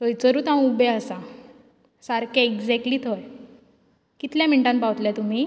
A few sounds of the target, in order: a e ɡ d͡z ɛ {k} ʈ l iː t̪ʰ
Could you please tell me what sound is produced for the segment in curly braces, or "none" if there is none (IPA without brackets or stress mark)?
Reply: k